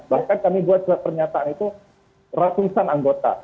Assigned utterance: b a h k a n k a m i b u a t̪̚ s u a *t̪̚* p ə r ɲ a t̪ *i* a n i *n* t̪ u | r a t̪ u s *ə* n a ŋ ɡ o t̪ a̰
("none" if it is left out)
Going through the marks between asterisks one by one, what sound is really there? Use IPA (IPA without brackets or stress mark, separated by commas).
t̪̚, a, none, a